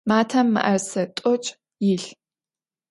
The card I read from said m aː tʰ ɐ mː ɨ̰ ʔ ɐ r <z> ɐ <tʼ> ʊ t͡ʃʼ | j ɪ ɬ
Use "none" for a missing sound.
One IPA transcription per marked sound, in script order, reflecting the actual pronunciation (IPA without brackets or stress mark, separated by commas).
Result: s, tʼ